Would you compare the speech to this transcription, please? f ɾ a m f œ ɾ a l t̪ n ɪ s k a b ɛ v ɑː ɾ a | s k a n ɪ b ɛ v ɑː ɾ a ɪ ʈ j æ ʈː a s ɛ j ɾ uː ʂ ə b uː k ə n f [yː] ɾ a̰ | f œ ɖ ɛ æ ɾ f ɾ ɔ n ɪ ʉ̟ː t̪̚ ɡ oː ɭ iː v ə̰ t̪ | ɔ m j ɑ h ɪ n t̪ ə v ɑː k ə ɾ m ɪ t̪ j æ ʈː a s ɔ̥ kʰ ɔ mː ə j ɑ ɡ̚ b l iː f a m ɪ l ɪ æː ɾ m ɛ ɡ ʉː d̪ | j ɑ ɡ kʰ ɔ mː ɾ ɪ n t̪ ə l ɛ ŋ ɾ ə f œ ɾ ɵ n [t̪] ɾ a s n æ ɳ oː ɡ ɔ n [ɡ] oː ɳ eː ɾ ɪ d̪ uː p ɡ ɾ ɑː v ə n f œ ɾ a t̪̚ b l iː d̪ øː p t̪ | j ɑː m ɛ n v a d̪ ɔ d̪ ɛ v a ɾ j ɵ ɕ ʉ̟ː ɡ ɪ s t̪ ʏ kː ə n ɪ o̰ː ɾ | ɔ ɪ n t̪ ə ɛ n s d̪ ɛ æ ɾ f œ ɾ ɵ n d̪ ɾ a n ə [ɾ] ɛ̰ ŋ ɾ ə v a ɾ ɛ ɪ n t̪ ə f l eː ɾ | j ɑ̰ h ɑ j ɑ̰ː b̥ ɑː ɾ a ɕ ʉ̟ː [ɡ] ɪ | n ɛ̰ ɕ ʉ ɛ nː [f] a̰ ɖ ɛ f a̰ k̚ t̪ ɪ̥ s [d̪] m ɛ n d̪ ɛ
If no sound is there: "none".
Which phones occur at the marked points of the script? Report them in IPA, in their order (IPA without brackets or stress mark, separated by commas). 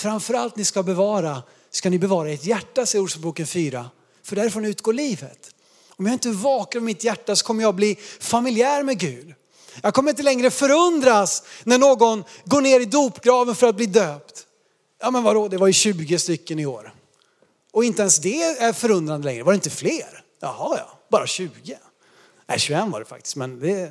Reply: yː, d̪, ɡ, l, ɡ, v, t̪